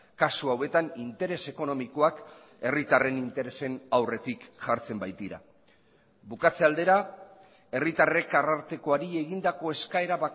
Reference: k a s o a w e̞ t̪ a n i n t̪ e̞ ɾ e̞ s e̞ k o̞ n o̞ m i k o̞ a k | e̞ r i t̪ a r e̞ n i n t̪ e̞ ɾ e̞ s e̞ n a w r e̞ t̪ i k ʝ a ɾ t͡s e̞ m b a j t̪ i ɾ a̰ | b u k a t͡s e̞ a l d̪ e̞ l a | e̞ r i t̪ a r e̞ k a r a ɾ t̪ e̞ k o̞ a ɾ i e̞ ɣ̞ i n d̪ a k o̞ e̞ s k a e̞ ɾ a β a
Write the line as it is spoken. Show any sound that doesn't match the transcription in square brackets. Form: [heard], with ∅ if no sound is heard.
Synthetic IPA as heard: k a s [u] a w e̞ t̪ a n i n t̪ e̞ ɾ e̞ s e̞ k o̞ n o̞ m i k o̞ a k | e̞ r i t̪ a r e̞ n i n t̪ e̞ ɾ e̞ s e̞ n a w r e̞ t̪ i k ʝ a ɾ t͡s e̞ m b a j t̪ i ɾ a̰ | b u k a t͡s e̞ a l d̪ e̞ [ɾ] a | e̞ r i t̪ a r e̞ k a r a ɾ t̪ e̞ k o̞ a ɾ i e̞ ɣ̞ i n d̪ a k o̞ e̞ s k a e̞ ɾ a β a